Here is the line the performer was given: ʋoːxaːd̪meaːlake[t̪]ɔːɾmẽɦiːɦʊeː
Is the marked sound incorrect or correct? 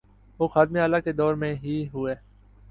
incorrect